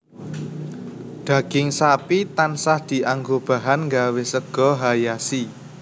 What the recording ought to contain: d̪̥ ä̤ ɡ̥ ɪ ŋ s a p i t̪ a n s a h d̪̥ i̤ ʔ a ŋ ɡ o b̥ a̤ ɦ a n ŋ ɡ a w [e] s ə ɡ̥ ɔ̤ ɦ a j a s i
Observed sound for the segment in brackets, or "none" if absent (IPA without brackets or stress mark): e